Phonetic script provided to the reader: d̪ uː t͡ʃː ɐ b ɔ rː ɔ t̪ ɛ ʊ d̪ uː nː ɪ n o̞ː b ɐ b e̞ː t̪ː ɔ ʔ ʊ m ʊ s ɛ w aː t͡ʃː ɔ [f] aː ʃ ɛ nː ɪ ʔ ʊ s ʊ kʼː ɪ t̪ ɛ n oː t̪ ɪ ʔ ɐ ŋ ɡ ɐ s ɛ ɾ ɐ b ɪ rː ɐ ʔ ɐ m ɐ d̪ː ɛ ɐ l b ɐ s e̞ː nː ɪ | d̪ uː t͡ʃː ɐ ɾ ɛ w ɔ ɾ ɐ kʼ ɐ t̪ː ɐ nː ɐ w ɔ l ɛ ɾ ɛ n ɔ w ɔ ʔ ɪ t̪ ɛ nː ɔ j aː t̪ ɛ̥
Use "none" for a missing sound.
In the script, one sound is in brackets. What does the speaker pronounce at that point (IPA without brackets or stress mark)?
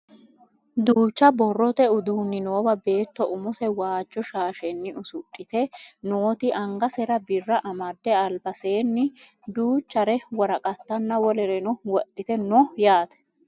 ʃ